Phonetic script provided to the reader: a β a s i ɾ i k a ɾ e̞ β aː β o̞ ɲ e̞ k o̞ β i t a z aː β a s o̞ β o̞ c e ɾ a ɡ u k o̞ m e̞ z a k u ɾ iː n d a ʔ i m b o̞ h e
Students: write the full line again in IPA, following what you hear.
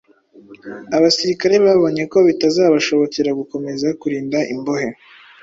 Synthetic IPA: a β a s i ɾ i k a ɾ e̞ β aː β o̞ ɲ e̞ k o̞ β i t a z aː β a ʃ o̞ β o̞ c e ɾ a ɡ u k o̞ m e̞ z a k u ɾ iː n d a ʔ i m b o̞ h e

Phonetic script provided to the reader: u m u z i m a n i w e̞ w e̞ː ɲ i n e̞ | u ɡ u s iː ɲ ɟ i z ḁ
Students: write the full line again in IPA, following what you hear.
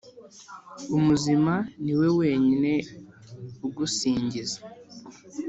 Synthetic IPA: u m u z i m a n i w e̞ w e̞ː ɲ i n e̞ | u ɡ u s iː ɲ ɟ i z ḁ

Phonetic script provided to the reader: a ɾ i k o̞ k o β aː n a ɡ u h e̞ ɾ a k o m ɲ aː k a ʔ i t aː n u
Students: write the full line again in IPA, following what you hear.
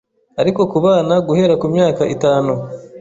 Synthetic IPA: a ɾ i k o̞ k u β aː n a ɡ u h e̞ ɾ a k u m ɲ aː k a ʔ i t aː n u

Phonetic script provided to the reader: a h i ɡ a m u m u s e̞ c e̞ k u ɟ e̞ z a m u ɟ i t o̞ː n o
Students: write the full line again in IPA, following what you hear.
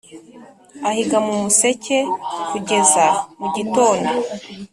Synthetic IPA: a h i ɡ a m u m u s e̞ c e̞ k u ɟ e̞ z a m u ɟ i t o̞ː n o

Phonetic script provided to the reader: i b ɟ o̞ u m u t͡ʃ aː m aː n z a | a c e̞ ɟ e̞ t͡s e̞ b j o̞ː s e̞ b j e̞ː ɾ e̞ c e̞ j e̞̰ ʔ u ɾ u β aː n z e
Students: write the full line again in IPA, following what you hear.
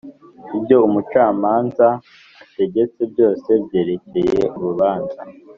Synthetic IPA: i b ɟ o̞ u m u t͡ʃ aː m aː n z a | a t e̞ ɟ e̞ t͡s e̞ b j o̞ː s e̞ b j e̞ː ɾ e̞ c e̞ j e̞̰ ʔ u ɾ u β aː n z a

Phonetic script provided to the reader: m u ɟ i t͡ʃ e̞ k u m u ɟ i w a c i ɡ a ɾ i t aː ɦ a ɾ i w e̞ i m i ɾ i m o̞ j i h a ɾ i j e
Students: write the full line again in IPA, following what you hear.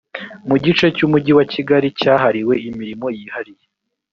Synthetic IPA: m u ɟ i t͡ʃ e̞ c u m u ɟ i w a c i ɡ a ɾ i c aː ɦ a ɾ i w e̞ i m i ɾ i m o̞ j i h a ɾ i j e

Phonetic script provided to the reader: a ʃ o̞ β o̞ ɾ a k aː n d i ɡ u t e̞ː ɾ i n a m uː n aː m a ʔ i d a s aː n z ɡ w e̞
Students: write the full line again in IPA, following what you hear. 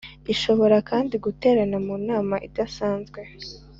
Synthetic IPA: i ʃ o̞ β o̞ ɾ a k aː n d i ɡ u t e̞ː ɾ a n a m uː n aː m a ʔ i d a s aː n z ɡ w e̞

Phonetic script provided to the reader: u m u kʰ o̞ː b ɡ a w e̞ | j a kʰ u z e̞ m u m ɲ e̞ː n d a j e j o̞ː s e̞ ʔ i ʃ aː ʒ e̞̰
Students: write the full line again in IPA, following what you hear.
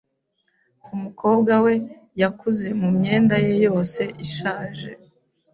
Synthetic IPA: u m u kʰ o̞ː b ɡ a w e̞ | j a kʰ u z e̞ m u m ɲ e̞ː n d a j e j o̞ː s e̞ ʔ i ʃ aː ʒ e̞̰

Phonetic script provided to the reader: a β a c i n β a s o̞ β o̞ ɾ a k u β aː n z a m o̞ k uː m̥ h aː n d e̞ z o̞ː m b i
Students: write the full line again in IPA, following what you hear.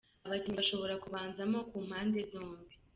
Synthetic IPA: a β a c i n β a ʃ o̞ β o̞ ɾ a k u β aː n z a m o̞ k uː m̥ h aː n d e̞ z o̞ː m b i

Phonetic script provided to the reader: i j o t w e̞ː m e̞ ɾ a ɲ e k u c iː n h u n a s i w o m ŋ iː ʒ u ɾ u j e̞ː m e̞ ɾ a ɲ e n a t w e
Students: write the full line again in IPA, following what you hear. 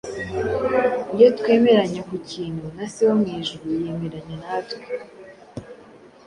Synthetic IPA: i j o t w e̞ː m e̞ ɾ a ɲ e k u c iː n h u n a s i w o m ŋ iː ʒ u ɾ u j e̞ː m e̞ ɾ a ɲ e n a t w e

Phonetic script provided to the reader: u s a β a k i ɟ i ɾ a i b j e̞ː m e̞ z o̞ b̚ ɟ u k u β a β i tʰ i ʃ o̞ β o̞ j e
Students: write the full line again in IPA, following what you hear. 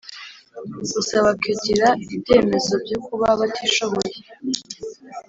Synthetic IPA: u s a β a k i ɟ i ɾ a i b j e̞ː m e̞ z o̞ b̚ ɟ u k u β a β a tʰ i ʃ o̞ β o̞ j e

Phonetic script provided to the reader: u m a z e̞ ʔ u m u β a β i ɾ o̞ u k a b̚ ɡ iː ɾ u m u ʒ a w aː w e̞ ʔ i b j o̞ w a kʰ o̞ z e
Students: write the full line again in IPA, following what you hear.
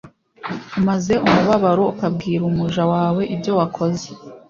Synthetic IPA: u m a z e̞ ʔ u m u β a β a ɾ o̞ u k a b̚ ɡ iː ɾ u m u ʒ a w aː w e̞ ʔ i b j o̞ w a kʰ o̞ z e

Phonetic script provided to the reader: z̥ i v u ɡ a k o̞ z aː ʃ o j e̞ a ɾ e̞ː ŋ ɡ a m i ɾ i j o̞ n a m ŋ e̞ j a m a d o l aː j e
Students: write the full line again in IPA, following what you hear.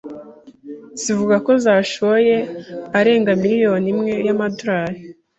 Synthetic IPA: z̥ i v u ɡ a k o̞ z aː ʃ o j e̞ a ɾ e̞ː ŋ ɡ a m i ɾ i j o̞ n i m ŋ e̞ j a m a d o ɾ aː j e

